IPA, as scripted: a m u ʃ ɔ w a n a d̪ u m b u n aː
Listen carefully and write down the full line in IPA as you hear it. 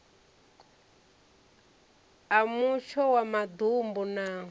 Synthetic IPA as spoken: a m u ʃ ɔ w a m a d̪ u m b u n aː